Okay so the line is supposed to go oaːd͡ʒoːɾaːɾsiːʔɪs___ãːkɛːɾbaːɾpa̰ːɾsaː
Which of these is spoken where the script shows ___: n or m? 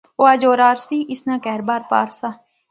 n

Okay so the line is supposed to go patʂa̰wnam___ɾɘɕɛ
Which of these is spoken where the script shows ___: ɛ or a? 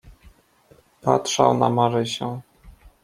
a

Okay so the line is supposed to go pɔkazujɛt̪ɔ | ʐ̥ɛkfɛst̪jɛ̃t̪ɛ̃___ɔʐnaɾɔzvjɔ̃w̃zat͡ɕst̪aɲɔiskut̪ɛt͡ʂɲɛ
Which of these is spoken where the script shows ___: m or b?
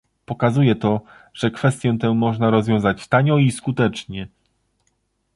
m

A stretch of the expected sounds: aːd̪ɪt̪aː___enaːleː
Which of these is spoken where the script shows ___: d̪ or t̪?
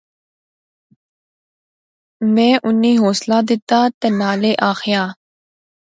t̪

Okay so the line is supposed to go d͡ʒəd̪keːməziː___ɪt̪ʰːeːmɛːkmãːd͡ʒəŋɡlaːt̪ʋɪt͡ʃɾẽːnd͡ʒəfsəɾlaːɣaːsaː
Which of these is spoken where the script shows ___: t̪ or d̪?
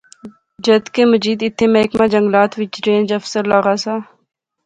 d̪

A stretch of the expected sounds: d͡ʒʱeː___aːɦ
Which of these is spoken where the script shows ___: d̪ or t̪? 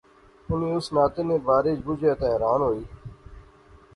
t̪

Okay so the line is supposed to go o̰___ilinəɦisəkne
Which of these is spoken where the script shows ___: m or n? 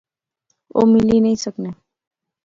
m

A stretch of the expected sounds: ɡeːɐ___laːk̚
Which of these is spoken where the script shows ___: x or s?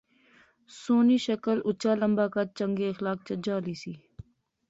x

